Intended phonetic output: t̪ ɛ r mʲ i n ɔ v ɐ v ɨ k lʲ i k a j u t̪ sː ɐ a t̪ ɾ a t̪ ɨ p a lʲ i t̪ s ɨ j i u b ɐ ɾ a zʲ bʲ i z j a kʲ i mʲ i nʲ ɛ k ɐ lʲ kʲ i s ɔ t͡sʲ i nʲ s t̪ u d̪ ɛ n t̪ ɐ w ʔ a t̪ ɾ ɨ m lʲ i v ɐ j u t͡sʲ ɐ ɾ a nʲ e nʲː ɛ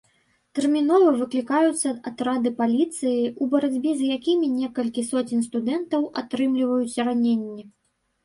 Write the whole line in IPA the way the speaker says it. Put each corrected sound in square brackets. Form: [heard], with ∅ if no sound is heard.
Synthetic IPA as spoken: t̪ ɛ r mʲ i n ɔ v ɐ v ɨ k lʲ i k a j u t̪ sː ɐ a t̪ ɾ a [d̪] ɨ p a lʲ i t̪ s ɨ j i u b ɐ ɾ a [d͡zʲ] bʲ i z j a kʲ i mʲ i nʲ ɛ k ɐ lʲ kʲ i s ɔ t͡sʲ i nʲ s t̪ u d̪ ɛ n t̪ ɐ w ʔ a t̪ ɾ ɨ m lʲ i v ɐ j u t͡sʲ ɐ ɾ a nʲ e nʲː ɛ